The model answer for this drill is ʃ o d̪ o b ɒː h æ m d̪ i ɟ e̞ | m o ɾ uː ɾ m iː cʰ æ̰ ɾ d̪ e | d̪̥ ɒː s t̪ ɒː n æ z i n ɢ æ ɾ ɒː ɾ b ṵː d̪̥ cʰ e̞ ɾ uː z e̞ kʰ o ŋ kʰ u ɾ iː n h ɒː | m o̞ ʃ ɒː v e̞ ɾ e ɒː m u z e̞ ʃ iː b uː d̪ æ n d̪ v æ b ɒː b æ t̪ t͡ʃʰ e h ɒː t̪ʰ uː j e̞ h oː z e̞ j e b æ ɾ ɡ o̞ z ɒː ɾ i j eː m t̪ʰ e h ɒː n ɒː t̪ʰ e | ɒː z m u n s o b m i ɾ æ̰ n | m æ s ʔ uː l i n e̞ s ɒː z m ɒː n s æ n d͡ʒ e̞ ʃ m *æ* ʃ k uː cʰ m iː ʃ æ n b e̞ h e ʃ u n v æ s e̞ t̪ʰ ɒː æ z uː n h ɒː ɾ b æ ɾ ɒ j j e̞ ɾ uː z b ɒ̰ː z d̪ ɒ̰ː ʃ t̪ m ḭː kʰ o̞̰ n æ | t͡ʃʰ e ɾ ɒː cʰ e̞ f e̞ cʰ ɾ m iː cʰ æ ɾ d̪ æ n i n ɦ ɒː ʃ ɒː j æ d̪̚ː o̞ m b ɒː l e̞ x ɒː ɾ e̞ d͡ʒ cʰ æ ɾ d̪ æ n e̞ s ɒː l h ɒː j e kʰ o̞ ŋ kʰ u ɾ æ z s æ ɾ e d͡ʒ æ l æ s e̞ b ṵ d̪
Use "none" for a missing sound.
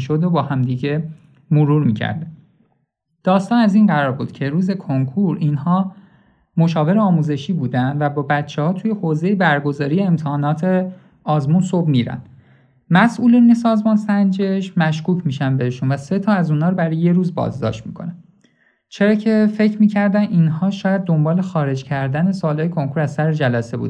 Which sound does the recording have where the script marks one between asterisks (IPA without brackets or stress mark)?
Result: æ